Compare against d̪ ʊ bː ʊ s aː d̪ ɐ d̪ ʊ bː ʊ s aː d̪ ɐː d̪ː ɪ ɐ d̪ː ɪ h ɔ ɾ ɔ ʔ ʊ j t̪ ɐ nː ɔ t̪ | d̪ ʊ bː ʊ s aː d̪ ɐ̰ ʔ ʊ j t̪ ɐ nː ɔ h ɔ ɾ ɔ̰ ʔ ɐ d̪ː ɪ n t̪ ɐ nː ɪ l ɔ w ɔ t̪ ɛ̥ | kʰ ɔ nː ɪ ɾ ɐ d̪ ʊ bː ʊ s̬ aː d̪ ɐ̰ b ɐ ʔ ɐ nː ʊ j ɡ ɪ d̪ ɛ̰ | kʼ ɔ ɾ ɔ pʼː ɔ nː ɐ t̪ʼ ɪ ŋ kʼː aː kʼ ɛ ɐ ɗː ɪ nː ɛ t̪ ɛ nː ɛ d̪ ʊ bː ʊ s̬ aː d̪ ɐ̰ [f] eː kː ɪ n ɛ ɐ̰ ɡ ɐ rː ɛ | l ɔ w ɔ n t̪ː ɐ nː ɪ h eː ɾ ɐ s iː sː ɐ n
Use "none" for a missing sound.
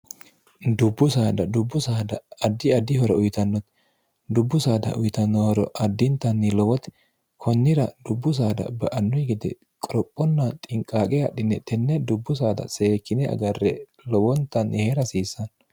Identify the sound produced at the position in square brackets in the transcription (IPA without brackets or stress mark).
s